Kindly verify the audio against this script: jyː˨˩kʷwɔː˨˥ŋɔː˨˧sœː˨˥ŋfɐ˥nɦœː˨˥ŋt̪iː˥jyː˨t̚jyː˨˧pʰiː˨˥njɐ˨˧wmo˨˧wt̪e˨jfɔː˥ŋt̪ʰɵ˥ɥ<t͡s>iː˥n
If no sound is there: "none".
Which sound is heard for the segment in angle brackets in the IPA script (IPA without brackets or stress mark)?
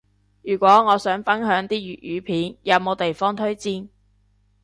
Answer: t͡s